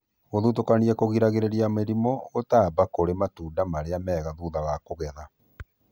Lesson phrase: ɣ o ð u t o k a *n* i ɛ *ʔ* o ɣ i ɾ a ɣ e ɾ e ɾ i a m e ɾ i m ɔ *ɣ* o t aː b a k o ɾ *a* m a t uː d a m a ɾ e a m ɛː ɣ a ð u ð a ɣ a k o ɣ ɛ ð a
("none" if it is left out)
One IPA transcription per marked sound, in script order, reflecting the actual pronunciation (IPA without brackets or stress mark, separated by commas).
n, k, ɣ, e